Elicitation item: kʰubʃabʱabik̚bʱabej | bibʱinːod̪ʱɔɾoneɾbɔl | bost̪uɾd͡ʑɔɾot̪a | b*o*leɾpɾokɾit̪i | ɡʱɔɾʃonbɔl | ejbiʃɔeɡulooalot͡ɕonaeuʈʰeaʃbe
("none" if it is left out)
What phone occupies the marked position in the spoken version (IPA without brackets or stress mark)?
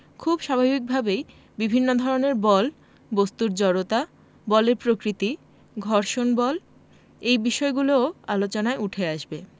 ɔ